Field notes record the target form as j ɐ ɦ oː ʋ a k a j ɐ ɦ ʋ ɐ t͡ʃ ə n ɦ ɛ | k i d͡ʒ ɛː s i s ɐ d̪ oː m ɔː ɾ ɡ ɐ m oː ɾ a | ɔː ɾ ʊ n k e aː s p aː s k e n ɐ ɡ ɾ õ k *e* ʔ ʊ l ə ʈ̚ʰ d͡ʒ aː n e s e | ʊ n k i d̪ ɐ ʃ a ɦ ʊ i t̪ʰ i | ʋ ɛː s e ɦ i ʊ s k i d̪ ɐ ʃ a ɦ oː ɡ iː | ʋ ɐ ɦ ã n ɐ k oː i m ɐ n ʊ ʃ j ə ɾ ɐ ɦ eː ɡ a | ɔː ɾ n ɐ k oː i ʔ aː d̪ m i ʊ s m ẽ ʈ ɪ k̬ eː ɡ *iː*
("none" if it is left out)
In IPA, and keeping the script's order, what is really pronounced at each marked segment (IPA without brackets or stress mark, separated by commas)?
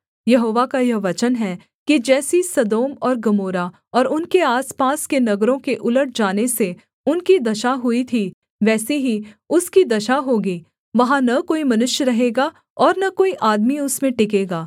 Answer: e, aː